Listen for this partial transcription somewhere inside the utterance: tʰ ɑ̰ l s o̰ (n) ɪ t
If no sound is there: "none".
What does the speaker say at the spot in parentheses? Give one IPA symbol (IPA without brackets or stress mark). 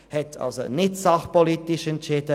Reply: n